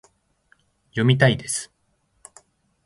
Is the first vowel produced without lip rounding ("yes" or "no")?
no